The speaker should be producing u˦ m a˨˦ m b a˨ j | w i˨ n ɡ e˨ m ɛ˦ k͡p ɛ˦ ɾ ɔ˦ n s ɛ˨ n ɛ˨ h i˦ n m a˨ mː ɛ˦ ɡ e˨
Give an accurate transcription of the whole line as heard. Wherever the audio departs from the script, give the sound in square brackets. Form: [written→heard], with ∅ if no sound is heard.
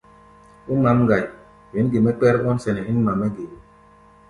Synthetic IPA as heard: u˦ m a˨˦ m [b→ɡ] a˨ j | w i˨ n ɡ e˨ m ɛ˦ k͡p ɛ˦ ɾ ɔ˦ n s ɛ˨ n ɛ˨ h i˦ n m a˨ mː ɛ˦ ɡ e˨